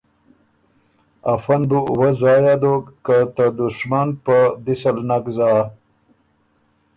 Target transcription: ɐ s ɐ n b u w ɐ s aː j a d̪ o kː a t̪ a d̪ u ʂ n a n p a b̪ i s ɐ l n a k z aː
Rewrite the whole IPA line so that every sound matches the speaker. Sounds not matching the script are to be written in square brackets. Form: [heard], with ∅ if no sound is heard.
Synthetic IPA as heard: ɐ [f] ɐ n b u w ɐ [z] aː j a d̪ o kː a t̪ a d̪ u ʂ [m] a n p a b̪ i s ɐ l n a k z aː